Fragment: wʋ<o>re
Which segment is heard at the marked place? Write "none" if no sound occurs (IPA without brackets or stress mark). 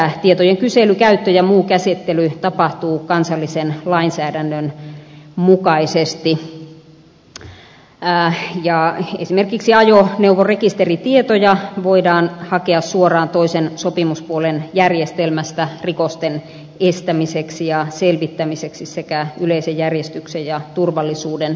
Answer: o